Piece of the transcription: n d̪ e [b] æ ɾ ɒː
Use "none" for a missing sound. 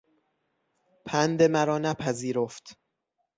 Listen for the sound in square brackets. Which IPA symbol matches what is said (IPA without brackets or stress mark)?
m